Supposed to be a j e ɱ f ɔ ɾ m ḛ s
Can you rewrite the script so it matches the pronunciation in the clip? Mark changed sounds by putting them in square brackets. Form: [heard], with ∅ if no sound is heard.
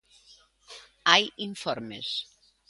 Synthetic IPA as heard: a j [i] ɱ f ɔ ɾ m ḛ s